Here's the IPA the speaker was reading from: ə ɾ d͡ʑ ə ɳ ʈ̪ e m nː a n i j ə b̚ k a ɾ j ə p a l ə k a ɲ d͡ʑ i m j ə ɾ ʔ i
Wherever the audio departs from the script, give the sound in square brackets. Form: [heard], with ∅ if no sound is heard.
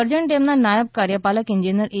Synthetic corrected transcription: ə ɾ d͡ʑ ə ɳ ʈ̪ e m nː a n [a] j ə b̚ k a ɾ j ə p a l ə k [i] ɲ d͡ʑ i [n] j ə ɾ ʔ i